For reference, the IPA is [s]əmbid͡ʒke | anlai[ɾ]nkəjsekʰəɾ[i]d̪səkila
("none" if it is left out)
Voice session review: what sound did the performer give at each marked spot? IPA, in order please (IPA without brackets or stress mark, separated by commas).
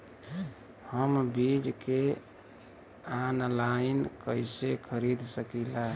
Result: h, none, i